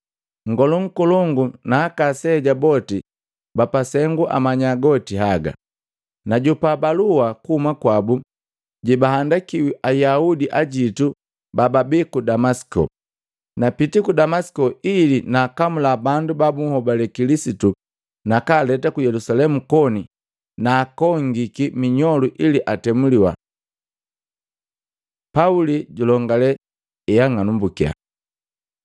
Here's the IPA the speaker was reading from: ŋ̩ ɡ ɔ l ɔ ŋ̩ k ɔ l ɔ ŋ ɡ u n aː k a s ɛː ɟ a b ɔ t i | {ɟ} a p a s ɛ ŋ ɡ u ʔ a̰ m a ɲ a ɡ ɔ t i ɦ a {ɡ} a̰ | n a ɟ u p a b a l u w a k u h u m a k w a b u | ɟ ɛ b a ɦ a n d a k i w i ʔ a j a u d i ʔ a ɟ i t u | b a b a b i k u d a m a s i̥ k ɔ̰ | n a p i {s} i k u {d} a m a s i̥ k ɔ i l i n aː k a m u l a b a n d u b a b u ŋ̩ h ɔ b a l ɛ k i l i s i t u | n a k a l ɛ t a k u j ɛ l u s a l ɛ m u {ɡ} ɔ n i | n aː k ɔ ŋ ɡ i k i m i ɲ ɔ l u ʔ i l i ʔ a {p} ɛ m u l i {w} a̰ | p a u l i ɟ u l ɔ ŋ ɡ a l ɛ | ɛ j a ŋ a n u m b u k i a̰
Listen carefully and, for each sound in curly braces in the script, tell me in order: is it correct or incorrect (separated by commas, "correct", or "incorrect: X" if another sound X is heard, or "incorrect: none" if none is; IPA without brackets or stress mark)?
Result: incorrect: b, correct, incorrect: t, correct, incorrect: k, incorrect: t, correct